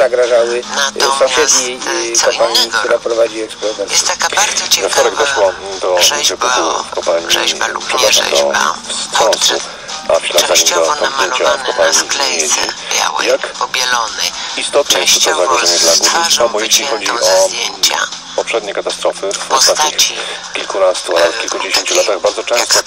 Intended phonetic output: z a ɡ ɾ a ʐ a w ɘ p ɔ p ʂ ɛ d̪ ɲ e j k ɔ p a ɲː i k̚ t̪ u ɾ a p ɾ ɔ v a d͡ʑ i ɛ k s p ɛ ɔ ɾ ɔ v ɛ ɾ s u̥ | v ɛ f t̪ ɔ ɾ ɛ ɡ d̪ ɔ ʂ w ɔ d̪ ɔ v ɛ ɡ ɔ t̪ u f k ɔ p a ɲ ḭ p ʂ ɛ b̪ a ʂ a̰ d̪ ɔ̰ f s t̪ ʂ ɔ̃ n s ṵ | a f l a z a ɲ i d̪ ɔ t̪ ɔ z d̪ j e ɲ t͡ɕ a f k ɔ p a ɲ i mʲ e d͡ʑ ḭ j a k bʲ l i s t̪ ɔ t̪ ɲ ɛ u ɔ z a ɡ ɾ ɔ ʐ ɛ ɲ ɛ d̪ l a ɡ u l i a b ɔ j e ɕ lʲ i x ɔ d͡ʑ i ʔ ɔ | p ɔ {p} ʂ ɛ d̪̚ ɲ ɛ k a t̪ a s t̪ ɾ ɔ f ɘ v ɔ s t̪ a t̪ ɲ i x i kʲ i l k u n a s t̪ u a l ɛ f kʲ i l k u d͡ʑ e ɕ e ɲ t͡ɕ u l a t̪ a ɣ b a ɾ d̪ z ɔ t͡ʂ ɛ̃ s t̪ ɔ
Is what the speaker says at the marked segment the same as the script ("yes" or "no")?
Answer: yes